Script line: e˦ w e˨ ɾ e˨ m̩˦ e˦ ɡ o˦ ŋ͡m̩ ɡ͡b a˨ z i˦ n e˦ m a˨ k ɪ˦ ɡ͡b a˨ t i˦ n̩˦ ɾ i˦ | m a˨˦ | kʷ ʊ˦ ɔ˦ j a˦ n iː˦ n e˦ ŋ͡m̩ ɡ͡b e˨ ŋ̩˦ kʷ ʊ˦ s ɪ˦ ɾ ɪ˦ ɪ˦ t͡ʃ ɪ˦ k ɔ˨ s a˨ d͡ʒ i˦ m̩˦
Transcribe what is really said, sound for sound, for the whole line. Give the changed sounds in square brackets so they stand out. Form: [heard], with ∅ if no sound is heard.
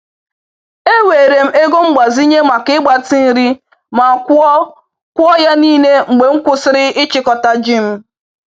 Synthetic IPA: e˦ w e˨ ɾ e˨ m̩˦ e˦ ɡ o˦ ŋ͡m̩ ɡ͡b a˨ z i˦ [ɲ] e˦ m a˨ k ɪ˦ ɡ͡b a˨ t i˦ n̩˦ ɾ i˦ | m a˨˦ | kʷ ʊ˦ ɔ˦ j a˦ n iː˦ n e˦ ŋ͡m̩ ɡ͡b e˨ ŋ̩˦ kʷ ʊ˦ s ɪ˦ ɾ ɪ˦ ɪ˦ t͡ʃ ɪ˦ k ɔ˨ [t] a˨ d͡ʒ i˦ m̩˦